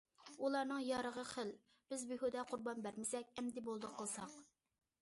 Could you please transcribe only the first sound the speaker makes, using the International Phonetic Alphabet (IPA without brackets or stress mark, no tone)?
u